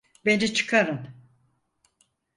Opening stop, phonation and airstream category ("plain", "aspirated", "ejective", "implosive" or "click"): plain